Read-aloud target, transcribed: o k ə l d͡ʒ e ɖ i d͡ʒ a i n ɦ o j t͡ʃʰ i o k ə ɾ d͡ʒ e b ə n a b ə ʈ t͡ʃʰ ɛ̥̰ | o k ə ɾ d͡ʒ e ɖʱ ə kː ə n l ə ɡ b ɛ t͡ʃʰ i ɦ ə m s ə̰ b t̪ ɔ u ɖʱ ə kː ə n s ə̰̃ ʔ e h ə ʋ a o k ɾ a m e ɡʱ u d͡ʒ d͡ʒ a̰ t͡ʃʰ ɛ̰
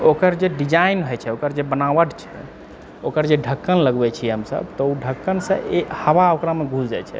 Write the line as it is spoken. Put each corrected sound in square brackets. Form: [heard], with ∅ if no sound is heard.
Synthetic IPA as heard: o k ə [ɾ] d͡ʒ e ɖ i d͡ʒ a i n ɦ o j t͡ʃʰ [ɛ] o k ə ɾ d͡ʒ e b ə n a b ə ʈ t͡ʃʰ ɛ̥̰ | o k ə ɾ d͡ʒ e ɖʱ ə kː ə n l ə ɡ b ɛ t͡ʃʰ i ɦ ə m s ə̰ b t̪ ɔ u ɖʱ ə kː ə n s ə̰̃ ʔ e h ə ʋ a o k ɾ a m e ɡʱ u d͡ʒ d͡ʒ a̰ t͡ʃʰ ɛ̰